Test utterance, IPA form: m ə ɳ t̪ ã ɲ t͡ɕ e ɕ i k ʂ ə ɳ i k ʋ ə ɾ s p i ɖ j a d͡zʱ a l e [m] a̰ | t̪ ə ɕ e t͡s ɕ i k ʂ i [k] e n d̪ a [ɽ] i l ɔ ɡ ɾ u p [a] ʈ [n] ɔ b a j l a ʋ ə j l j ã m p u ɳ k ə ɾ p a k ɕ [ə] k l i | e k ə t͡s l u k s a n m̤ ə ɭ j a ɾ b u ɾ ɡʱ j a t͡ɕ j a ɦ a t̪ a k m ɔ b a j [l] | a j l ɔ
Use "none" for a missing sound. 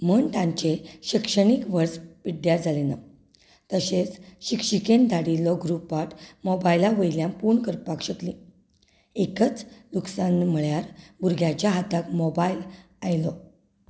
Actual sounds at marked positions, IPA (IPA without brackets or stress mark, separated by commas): n, k, ɽ, a, m, ə, l